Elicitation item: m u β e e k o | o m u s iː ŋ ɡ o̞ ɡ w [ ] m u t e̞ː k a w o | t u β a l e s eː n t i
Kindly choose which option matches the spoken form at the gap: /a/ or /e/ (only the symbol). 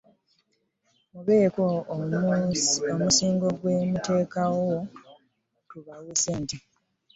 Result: e